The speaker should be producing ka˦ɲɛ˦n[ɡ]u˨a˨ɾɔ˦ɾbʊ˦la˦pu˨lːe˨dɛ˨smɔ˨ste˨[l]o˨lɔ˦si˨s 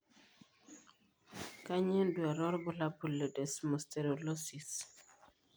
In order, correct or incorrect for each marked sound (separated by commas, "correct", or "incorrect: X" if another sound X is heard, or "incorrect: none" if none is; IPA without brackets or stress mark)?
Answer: incorrect: d, incorrect: ɾ